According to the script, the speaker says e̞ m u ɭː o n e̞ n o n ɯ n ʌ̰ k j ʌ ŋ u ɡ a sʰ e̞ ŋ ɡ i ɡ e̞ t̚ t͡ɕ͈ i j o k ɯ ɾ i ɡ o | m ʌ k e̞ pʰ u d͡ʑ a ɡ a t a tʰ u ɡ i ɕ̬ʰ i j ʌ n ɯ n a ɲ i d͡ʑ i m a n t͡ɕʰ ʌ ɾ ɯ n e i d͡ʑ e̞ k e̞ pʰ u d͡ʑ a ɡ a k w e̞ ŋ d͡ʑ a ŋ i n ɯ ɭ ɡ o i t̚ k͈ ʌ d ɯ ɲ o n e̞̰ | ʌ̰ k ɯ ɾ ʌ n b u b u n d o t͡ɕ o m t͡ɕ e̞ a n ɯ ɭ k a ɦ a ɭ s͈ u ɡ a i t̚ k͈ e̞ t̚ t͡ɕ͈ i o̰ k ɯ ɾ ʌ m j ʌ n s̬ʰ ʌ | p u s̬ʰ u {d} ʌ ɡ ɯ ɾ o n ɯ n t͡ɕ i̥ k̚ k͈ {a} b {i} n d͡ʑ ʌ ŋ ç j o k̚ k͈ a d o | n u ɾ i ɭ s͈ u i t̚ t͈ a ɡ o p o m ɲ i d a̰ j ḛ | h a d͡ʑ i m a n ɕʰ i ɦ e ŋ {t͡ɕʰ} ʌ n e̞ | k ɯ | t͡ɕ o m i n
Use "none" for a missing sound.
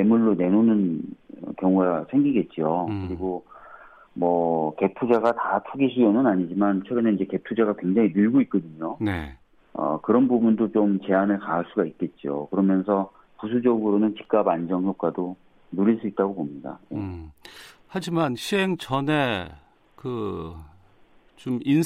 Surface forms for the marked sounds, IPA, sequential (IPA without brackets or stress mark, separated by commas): d͡ʑ, a, a, t͡ɕ